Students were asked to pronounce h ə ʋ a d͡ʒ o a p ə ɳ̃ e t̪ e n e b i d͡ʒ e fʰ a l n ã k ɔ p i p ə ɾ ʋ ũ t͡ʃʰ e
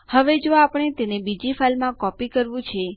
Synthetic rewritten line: h ə ʋ e d͡ʒ o a p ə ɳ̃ e t̪ e n e b i d͡ʒ i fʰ a l m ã k ɔ p i k ə ɾ ʋ ũ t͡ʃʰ e